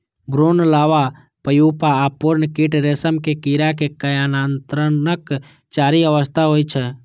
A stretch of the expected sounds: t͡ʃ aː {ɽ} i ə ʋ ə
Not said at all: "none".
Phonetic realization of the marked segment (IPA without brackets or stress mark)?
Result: ɾ